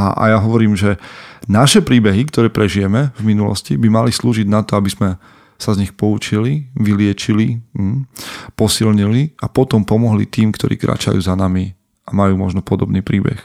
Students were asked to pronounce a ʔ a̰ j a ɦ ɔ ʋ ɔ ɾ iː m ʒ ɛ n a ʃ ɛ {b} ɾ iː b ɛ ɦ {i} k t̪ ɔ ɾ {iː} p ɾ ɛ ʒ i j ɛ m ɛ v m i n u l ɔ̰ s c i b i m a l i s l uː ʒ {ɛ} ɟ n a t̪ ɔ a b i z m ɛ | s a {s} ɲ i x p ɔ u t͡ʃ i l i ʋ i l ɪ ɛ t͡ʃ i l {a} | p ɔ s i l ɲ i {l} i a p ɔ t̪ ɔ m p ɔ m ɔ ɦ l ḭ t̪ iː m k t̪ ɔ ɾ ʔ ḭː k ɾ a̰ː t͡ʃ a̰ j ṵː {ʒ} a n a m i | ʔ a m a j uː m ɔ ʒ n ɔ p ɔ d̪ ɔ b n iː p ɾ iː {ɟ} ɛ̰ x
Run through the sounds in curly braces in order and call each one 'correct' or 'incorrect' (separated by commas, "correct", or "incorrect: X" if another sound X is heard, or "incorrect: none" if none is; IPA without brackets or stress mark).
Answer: incorrect: p, correct, incorrect: ɛː, incorrect: i, incorrect: z, incorrect: i, correct, incorrect: z, incorrect: b